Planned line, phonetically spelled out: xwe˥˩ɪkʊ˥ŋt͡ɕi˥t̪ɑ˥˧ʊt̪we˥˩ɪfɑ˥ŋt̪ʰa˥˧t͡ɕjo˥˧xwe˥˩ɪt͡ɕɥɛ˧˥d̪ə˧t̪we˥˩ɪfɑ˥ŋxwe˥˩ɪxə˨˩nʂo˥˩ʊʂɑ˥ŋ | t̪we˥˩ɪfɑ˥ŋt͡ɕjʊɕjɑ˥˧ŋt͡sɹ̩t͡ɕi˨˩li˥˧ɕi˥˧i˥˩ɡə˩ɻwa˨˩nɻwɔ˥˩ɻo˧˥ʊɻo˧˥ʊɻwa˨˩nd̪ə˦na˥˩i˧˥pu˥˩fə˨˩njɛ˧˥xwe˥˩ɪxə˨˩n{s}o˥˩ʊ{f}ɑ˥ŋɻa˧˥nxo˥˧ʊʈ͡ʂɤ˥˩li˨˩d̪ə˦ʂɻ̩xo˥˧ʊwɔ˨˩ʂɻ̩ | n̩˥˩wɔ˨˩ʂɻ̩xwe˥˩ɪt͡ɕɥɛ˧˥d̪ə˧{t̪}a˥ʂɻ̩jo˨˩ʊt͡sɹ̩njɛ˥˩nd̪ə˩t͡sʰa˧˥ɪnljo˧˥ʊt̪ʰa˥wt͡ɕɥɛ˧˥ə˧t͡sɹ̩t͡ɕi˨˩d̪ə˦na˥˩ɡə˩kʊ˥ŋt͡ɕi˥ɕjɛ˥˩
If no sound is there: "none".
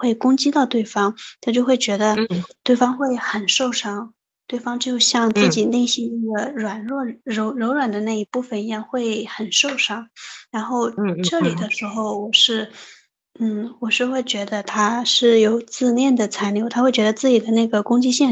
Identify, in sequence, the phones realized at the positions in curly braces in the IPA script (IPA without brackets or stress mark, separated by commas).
ʂ, ʂ, t̪ʰ